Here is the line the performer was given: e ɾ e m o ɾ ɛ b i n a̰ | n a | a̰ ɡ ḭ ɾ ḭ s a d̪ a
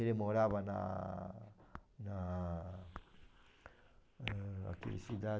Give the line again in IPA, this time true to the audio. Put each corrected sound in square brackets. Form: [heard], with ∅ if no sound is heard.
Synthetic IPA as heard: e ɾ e m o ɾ [a] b [a] n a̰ | n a | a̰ [k] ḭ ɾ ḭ s [i] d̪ a